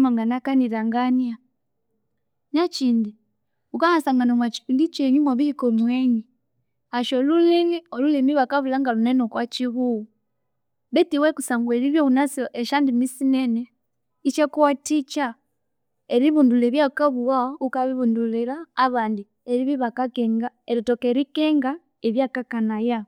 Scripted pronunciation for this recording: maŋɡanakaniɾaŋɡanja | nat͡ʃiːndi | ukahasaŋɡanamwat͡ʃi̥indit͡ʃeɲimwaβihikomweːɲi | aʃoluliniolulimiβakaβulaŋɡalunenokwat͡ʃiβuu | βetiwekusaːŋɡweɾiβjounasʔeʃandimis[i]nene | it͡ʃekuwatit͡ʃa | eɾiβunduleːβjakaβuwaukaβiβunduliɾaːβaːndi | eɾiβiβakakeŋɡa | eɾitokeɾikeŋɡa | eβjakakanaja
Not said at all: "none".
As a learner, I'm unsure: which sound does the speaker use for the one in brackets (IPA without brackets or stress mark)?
i